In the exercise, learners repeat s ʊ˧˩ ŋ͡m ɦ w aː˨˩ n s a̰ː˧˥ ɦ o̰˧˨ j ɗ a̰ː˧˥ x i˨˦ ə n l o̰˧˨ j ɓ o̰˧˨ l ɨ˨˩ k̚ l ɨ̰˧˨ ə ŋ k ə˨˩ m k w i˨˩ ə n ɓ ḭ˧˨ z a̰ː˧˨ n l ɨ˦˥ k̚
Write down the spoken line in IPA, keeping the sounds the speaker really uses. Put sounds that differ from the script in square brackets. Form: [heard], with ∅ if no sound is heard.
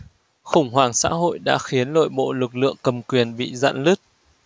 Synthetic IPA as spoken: [x] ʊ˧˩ ŋ͡m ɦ w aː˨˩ [ŋ] s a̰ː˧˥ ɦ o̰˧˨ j ɗ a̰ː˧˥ x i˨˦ ə n l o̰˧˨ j ɓ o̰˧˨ l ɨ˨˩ k̚ l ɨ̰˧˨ ə ŋ k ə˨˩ m k w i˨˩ ə n ɓ ḭ˧˨ z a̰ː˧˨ n l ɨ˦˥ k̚